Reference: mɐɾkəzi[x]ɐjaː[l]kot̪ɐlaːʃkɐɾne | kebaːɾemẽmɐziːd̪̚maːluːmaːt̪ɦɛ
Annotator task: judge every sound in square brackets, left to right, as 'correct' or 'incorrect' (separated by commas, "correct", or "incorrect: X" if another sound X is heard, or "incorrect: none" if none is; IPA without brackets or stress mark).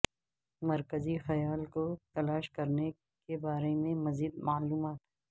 correct, correct